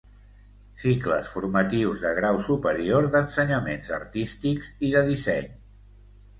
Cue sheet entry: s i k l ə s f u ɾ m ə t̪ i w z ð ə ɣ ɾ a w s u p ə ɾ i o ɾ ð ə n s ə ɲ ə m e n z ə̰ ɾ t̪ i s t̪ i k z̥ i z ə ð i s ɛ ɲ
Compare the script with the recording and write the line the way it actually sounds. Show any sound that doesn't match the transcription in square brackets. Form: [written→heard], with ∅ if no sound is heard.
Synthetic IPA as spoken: s i k l ə s f u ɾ m ə t̪ i w z ð ə ɣ ɾ a w s u p ə ɾ i o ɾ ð ə n s ə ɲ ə m e n z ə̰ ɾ t̪ i s t̪ i k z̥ i [z→ð] ə ð i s ɛ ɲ